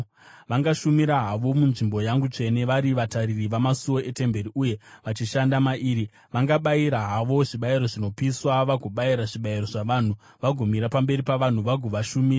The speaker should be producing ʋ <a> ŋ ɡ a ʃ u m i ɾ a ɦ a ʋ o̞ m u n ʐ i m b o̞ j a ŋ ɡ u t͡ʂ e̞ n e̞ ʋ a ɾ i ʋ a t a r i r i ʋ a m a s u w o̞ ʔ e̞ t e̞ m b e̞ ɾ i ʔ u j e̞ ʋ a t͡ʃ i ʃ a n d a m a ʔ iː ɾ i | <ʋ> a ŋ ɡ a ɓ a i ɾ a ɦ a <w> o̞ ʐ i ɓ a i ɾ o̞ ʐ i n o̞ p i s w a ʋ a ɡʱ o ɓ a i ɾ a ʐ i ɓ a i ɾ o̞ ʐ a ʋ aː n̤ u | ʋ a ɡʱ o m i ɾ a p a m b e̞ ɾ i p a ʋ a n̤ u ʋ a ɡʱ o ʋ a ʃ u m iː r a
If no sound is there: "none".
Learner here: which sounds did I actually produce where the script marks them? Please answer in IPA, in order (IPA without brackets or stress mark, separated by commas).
a, ʋ, ʋ